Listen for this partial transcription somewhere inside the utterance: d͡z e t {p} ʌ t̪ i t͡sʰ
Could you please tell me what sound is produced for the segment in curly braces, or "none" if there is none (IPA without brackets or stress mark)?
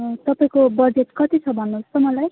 k